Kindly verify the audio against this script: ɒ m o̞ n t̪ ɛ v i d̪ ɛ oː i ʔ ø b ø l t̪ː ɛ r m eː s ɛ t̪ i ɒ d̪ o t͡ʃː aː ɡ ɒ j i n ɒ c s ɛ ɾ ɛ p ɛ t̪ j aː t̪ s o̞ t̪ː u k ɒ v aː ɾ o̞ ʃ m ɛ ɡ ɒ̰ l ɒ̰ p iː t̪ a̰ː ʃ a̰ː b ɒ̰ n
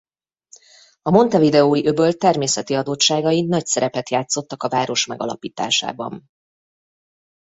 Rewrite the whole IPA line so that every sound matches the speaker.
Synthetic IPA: ɒ m o̞ n t̪ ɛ v i d̪ ɛ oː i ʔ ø b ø l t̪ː ɛ r m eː s ɛ t̪ i ɒ d̪ o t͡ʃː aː ɡ ɒ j i n ɒ c s ɛ ɾ ɛ p ɛ t̪ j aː t̪ s o̞ t̪ː ɒ k ɒ v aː ɾ o̞ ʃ m ɛ ɡ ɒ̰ l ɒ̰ p iː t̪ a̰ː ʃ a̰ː b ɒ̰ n

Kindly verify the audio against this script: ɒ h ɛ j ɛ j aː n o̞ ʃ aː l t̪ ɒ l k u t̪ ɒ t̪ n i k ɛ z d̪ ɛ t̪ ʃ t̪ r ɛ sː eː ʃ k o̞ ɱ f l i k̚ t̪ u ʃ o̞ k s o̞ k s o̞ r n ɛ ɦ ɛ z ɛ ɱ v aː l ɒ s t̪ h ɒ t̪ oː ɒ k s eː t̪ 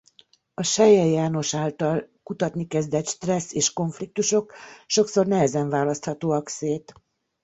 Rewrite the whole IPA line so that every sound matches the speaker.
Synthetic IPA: ɒ ʃ ɛ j ɛ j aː n o̞ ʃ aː l t̪ ɒ l k u t̪ ɒ t̪ n i k ɛ z d̪ ɛ t̪ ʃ t̪ r ɛ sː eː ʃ k o̞ ɱ f l i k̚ t̪ u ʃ o̞ k ʃ o̞ k s o̞ r n ɛ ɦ ɛ z ɛ ɱ v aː l ɒ s t̪ h ɒ t̪ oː ɒ k s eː t̪

